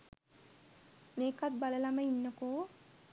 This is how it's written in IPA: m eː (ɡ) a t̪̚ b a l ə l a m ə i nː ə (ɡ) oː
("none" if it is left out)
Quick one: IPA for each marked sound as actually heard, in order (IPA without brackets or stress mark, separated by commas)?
k, k